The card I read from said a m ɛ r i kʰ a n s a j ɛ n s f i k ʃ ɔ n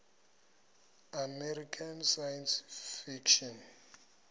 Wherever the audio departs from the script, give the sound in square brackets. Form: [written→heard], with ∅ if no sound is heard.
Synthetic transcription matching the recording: a m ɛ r i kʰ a n s a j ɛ n s f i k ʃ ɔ n